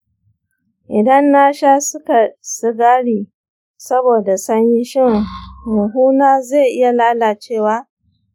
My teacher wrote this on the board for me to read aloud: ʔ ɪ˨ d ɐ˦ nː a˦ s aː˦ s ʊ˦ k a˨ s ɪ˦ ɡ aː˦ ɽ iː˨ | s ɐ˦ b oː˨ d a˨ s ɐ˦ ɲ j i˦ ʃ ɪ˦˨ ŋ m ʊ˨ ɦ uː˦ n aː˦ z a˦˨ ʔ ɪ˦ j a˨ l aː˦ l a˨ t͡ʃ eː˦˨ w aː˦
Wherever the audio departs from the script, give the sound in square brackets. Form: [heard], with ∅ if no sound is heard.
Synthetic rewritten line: ʔ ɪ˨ d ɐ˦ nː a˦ [ʃ] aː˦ s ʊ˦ k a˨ s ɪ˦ ɡ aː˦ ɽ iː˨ | s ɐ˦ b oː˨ d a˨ s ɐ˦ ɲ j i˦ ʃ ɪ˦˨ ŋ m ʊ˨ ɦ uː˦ n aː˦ z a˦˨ ʔ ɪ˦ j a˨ l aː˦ l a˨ t͡ʃ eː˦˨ w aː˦